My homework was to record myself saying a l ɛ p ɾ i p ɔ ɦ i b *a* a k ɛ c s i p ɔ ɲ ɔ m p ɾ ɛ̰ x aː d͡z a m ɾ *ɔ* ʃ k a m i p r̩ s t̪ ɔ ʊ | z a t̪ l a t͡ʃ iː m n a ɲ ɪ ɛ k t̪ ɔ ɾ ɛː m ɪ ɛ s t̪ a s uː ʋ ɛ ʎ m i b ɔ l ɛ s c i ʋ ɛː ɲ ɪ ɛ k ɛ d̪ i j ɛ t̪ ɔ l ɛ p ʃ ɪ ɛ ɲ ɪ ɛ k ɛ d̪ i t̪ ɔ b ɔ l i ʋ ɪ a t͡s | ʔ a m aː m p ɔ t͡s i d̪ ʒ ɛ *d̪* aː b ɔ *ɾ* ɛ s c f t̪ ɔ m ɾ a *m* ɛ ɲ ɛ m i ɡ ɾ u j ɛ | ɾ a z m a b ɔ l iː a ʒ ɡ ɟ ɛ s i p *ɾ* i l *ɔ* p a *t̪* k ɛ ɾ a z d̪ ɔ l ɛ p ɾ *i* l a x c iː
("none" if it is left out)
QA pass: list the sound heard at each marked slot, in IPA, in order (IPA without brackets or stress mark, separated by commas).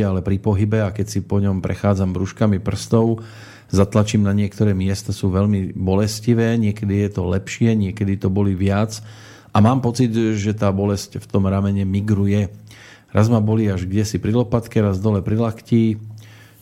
ɛ, u, t̪, l, m, ɾ, ɔ, t̪, i